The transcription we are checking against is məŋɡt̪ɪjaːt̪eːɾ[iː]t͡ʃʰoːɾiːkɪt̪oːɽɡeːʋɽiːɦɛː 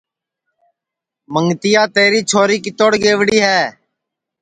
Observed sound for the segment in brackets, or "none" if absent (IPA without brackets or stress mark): iː